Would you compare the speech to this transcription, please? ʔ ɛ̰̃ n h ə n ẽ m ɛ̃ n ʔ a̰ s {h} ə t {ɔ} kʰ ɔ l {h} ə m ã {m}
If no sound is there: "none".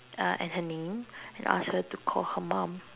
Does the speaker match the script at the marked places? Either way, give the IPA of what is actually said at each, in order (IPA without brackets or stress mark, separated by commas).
h, u, h, m